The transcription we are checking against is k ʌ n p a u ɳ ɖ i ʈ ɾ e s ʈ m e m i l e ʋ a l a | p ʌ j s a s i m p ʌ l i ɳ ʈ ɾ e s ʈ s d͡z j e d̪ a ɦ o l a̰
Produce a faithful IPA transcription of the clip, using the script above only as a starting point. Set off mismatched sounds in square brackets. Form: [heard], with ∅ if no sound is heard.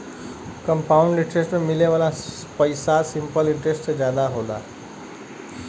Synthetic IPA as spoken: k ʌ [m] p a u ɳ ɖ i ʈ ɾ e s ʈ m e m i l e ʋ a l a | p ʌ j s a s i m p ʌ l i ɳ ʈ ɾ e s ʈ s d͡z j [a] d̪ a ɦ o l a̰